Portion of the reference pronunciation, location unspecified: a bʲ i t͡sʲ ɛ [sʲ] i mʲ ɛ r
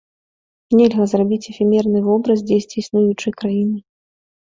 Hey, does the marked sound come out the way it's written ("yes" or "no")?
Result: no